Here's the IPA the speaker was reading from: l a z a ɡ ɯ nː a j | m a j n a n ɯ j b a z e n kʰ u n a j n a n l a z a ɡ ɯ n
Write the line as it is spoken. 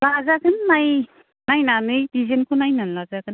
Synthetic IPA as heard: l a z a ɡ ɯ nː a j | n a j n a n ɯ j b i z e n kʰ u n a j n a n l a z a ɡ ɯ n